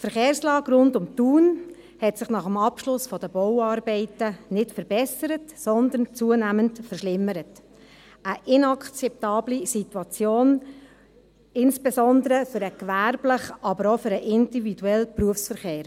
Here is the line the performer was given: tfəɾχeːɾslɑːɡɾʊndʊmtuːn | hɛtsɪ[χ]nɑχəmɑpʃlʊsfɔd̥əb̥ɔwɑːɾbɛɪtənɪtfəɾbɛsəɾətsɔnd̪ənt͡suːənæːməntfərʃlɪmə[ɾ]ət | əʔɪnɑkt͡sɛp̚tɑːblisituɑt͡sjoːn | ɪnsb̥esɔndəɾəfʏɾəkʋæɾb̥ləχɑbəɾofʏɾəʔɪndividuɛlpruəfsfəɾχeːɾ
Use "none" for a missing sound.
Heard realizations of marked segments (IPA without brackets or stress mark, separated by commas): χ, ɾ